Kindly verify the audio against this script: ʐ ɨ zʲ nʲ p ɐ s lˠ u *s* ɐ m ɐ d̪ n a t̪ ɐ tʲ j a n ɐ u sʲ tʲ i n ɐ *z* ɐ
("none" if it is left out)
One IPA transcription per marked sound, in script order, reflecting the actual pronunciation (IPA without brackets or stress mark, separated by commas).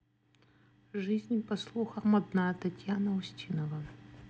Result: x, v